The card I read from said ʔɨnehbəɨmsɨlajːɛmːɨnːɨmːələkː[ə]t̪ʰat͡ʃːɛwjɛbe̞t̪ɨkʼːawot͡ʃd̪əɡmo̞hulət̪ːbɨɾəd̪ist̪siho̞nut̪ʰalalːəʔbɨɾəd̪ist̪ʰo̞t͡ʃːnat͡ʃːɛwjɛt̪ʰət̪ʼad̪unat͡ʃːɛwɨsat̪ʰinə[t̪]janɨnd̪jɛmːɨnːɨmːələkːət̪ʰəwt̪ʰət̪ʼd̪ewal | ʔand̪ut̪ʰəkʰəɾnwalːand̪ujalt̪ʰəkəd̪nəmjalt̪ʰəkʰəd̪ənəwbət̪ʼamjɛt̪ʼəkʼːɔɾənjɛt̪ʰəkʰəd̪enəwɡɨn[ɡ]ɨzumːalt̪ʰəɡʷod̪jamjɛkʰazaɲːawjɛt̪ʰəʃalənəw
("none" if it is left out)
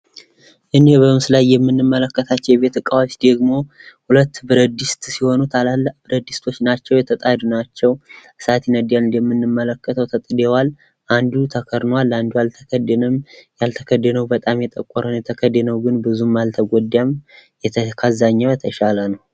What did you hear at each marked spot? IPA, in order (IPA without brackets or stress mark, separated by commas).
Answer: ə, d̪, b